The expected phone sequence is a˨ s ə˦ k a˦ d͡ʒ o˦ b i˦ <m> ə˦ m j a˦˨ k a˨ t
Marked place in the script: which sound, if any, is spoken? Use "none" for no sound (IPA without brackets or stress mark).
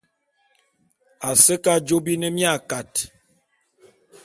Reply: n